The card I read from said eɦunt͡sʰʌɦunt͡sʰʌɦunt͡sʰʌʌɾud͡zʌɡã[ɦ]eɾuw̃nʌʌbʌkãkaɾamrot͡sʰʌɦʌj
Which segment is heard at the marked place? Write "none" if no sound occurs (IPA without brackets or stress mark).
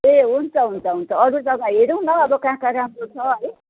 ɦ